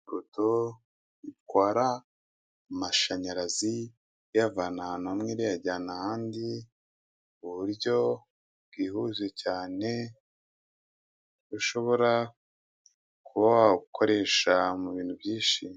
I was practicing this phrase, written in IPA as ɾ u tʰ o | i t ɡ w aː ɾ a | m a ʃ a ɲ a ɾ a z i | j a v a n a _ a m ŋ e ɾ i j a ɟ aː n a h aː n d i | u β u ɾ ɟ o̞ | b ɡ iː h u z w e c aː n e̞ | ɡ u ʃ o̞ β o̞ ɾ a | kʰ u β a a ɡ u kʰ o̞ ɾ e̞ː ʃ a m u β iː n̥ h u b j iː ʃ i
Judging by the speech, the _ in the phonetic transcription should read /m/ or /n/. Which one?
n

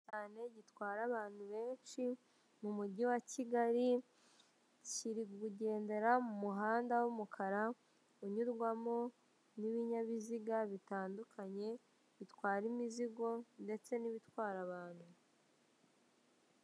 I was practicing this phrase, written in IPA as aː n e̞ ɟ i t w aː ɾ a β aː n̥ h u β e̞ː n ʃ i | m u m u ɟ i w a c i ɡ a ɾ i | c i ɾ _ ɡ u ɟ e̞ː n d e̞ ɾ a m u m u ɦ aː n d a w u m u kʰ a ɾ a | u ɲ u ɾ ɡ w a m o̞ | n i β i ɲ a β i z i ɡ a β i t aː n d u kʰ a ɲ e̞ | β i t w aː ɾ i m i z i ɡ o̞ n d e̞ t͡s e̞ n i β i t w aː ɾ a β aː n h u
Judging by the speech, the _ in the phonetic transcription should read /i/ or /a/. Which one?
i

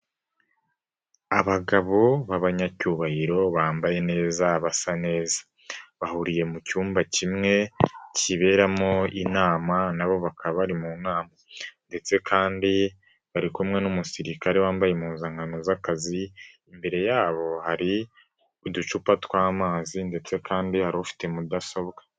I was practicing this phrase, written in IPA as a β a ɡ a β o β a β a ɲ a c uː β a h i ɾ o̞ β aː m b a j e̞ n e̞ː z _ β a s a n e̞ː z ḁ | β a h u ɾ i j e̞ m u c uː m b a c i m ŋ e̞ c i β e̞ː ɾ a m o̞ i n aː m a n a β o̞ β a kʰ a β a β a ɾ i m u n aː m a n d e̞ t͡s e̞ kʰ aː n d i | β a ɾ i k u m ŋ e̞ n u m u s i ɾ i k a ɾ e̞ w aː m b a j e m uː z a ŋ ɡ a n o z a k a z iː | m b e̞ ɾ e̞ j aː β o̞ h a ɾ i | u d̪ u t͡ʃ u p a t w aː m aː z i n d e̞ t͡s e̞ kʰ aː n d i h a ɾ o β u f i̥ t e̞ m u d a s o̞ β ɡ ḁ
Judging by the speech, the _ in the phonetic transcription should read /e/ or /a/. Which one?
a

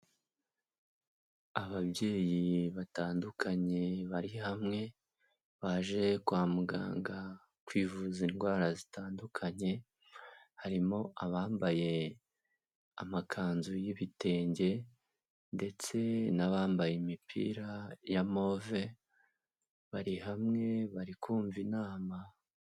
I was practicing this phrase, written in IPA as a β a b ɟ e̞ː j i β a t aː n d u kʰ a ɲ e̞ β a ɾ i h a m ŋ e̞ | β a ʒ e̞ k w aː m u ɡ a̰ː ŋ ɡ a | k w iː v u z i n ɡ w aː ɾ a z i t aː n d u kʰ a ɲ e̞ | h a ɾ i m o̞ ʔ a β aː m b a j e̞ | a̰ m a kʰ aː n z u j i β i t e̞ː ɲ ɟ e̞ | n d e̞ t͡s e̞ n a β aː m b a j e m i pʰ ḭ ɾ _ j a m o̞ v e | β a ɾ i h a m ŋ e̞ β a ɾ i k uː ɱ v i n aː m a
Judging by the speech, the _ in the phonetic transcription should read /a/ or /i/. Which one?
a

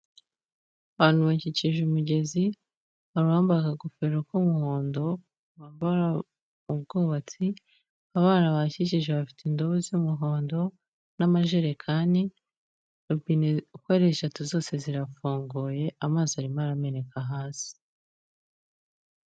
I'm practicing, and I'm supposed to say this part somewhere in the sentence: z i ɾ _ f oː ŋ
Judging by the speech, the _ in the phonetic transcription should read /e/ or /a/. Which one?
a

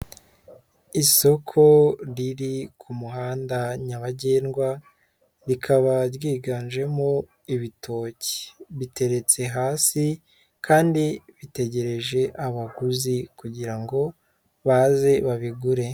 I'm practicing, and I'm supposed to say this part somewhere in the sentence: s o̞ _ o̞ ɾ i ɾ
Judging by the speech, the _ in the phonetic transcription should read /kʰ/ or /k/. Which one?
kʰ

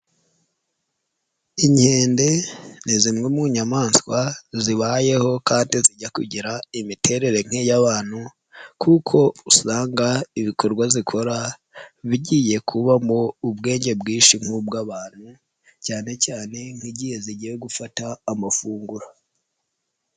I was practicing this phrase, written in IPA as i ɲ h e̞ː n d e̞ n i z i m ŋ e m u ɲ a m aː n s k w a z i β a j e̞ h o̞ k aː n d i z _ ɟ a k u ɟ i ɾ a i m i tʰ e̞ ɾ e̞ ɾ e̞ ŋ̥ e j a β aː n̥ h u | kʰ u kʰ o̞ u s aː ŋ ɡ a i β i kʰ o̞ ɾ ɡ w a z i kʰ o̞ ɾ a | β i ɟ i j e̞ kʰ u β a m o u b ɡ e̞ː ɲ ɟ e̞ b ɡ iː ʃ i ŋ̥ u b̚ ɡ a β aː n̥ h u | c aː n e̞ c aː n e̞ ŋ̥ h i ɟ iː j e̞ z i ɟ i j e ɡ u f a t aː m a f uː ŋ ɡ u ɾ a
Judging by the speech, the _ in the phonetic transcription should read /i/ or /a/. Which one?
i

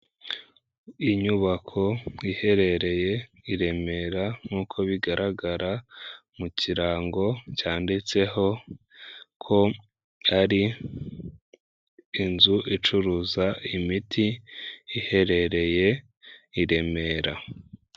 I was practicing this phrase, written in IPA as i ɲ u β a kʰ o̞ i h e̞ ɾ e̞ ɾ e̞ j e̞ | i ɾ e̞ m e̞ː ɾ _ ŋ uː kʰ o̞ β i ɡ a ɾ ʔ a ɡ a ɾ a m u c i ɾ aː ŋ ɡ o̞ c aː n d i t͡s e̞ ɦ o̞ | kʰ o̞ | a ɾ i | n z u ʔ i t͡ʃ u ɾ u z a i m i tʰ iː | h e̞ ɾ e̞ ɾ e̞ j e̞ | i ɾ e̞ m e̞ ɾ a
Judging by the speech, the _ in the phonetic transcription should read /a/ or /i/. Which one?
a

